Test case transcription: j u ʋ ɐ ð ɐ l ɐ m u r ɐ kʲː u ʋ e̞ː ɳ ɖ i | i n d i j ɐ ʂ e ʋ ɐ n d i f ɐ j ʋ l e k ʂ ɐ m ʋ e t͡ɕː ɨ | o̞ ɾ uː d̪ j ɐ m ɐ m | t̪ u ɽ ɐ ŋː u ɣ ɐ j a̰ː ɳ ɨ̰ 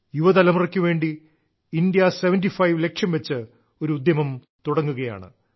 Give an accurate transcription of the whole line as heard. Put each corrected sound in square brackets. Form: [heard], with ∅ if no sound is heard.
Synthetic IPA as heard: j u ʋ ɐ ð ɐ l ɐ m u r ɐ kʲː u ʋ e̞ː ɳ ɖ i | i n d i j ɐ [s] e ʋ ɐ n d i f ɐ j ʋ l e k ʂ ɐ m ʋ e t͡ɕː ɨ | o̞ ɾ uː d̪ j ɐ m ɐ m | t̪ u ɽ ɐ ŋː u ɣ ɐ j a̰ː ɳ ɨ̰